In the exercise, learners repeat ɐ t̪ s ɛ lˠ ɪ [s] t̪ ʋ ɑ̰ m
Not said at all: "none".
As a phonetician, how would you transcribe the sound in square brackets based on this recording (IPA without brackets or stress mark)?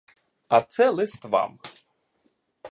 s